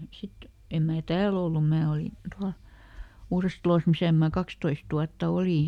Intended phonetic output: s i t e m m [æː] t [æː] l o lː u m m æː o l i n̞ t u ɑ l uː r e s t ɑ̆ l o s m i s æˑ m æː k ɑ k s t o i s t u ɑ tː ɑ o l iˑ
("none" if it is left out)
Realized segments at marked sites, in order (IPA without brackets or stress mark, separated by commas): æː, æː